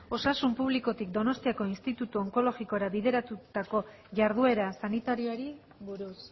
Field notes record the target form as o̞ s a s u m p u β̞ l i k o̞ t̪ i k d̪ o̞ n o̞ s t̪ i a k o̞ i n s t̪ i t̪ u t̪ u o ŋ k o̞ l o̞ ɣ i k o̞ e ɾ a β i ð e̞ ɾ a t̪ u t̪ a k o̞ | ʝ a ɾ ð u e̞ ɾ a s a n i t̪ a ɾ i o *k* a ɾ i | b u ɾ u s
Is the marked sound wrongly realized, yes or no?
yes